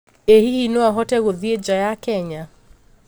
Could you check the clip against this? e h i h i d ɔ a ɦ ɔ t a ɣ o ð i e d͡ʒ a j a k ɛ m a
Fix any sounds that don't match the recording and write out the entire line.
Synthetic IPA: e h i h i n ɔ a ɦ ɔ t ɛ ɣ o ð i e d͡ʒ a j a k ɛ ɲ a